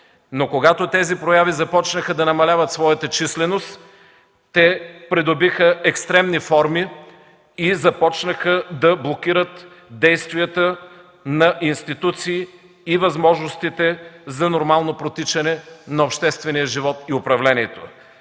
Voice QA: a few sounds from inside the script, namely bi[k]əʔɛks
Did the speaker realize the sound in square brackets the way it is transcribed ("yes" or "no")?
no